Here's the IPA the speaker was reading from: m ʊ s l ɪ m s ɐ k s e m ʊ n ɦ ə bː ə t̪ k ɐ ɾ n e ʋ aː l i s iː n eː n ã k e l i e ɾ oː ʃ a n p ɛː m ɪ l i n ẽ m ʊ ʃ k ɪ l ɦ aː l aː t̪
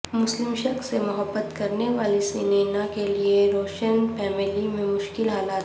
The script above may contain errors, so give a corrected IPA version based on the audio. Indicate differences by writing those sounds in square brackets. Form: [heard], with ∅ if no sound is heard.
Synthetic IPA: m ʊ s l ɪ m [ʃ] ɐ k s e m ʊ [∅] ɦ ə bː ə t̪ k ɐ ɾ n e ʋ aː l i s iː n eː n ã k e l i e ɾ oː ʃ [ə] n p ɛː m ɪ l i [m] ẽ m ʊ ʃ k ɪ l ɦ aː l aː t̪